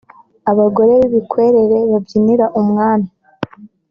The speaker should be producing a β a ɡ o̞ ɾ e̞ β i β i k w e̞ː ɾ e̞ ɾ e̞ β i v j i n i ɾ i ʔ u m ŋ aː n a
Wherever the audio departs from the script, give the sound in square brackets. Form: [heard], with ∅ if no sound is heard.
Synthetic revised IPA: a β a ɡ o̞ ɾ e̞ β i β i k w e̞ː ɾ e̞ ɾ e̞ β [a] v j i n i ɾ [a] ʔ u m ŋ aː n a